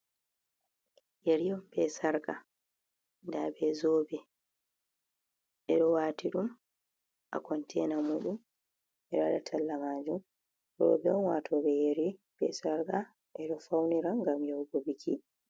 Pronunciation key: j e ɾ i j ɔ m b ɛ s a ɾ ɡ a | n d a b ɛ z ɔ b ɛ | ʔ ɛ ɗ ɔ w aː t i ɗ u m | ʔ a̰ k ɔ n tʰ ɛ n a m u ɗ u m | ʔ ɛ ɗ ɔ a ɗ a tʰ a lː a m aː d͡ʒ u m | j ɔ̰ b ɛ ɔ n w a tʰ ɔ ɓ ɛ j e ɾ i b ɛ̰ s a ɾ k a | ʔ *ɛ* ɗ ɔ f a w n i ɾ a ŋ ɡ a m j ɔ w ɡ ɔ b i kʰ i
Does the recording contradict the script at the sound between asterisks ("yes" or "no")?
no